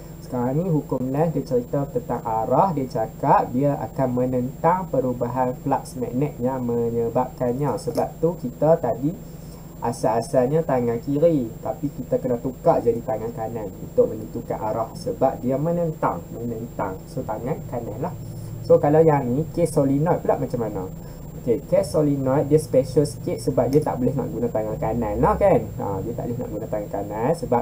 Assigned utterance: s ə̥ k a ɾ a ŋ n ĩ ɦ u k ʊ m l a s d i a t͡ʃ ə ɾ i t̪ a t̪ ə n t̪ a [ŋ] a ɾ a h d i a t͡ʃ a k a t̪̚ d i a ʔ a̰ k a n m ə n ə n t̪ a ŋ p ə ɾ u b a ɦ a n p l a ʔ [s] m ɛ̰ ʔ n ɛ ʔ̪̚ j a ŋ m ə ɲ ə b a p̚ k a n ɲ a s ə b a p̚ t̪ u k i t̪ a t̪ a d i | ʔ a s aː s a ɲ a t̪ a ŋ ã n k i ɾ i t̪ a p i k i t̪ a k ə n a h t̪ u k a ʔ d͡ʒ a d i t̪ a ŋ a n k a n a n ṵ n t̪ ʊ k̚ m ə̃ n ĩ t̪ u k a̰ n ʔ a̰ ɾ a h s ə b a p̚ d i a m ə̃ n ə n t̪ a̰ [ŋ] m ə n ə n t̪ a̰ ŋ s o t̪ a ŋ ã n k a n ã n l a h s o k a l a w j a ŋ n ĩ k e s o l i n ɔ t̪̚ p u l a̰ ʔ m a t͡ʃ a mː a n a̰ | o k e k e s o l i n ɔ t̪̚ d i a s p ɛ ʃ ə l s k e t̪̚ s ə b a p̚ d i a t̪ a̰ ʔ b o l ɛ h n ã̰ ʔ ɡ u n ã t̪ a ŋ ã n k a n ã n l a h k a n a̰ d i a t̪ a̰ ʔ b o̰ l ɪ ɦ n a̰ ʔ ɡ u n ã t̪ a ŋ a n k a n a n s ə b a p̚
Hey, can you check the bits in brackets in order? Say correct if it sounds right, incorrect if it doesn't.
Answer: correct, correct, correct

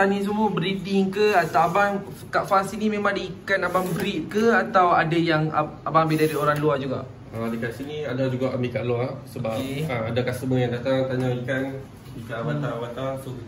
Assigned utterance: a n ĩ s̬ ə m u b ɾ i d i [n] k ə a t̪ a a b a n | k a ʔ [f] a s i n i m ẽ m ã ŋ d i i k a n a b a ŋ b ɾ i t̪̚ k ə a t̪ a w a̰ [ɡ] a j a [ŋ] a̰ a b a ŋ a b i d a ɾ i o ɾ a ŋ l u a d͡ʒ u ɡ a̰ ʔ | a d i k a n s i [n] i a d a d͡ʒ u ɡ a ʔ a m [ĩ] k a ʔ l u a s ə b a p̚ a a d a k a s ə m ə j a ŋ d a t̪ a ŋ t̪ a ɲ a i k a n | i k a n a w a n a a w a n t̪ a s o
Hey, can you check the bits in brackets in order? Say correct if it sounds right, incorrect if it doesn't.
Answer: incorrect, correct, incorrect, correct, correct, incorrect

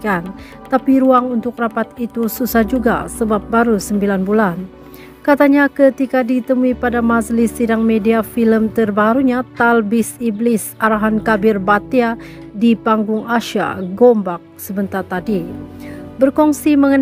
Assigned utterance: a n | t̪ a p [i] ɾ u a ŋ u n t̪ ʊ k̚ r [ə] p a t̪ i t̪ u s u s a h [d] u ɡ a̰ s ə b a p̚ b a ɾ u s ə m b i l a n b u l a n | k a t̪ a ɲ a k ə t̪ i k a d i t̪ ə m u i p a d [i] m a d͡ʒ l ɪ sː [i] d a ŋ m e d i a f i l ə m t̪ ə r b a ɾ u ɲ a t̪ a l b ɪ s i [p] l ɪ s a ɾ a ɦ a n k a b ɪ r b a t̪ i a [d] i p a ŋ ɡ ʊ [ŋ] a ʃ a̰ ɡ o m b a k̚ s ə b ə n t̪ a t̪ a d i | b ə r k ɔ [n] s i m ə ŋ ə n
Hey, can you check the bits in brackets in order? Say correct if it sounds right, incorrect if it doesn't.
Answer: correct, incorrect, incorrect, incorrect, correct, incorrect, correct, correct, incorrect

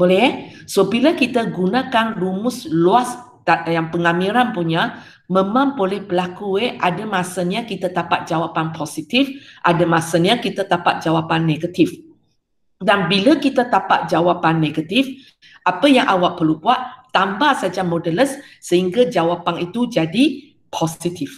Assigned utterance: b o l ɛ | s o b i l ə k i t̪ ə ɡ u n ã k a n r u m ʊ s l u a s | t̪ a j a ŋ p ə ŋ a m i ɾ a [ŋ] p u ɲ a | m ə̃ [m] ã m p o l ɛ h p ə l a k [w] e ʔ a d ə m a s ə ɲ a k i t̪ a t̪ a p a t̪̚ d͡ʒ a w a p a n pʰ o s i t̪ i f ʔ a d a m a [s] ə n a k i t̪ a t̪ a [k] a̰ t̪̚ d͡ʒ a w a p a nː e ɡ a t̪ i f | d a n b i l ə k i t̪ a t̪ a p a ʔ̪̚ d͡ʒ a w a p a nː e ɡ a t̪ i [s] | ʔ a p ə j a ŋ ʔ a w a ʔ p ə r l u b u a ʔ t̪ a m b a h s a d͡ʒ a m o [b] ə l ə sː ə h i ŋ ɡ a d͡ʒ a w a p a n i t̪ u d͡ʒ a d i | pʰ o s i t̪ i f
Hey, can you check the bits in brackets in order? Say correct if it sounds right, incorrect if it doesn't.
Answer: incorrect, correct, incorrect, correct, incorrect, incorrect, incorrect

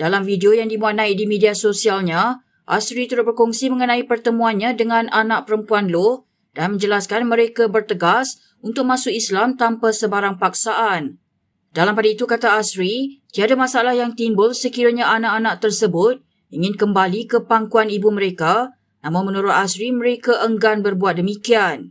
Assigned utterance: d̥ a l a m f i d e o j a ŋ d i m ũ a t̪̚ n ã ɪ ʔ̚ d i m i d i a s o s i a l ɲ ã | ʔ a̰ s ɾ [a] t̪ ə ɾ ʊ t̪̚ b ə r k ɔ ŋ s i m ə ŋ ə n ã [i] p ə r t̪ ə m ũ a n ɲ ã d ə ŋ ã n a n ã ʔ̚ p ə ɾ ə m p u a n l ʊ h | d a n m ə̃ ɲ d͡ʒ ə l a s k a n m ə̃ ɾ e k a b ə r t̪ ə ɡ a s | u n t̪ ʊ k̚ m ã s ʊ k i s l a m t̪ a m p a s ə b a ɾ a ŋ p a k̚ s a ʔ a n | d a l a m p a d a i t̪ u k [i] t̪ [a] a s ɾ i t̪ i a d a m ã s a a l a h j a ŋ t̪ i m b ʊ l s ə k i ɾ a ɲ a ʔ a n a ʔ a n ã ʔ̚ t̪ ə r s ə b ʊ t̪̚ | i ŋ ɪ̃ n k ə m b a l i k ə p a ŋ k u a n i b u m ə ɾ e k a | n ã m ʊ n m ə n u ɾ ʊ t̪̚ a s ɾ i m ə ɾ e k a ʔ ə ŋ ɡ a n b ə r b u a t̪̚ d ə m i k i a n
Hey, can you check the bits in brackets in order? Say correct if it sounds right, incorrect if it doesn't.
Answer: incorrect, correct, incorrect, correct

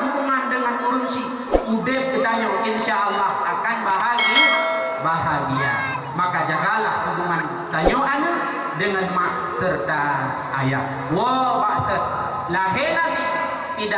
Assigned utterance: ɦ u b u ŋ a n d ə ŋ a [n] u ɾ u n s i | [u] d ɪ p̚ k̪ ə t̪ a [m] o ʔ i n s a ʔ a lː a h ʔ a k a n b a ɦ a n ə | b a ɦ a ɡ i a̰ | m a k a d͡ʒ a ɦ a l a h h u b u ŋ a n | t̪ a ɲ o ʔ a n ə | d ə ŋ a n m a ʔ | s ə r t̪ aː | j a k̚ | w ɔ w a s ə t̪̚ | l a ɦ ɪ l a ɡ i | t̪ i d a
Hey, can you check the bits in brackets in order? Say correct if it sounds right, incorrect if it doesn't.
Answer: correct, correct, incorrect

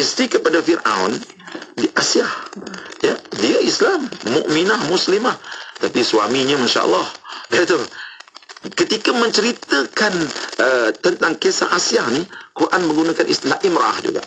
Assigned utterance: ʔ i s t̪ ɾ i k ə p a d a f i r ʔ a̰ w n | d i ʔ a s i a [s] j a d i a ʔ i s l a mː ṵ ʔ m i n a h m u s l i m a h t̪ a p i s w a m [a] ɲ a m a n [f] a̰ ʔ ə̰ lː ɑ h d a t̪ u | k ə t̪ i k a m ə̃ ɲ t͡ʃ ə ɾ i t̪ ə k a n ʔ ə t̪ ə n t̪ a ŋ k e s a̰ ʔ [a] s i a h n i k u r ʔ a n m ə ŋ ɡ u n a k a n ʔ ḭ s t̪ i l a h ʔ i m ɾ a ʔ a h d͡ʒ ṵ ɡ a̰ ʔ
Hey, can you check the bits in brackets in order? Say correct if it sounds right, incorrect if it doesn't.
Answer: incorrect, incorrect, incorrect, correct

